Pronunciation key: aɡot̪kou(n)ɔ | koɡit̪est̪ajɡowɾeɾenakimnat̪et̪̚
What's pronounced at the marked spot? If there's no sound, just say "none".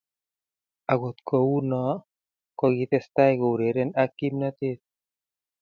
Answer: n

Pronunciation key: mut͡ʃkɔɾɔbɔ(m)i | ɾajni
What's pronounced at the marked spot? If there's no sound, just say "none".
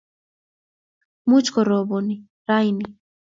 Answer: n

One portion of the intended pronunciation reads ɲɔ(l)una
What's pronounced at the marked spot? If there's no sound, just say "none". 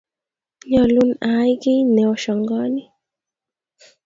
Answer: l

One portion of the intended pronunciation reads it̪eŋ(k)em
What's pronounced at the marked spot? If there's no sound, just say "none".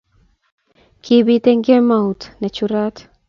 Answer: ɡ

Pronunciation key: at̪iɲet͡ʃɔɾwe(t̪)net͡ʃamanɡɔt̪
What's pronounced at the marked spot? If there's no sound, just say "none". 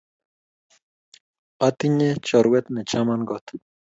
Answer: t̪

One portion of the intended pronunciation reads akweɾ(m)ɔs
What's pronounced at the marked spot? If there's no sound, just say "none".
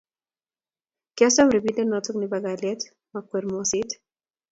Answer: m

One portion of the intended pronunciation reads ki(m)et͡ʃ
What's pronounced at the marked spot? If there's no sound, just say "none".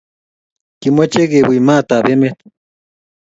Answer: m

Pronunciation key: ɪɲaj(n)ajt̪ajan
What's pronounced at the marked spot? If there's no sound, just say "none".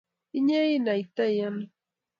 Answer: n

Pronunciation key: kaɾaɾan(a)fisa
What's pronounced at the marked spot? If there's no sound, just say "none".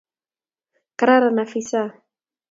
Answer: a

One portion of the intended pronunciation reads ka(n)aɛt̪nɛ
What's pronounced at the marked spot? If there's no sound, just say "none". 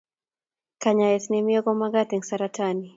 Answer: ɲ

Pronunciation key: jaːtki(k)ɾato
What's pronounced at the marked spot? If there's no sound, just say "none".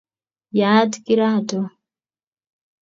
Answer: none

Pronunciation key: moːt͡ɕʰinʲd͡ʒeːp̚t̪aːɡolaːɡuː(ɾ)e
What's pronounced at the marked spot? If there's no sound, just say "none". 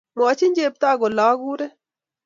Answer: ɾ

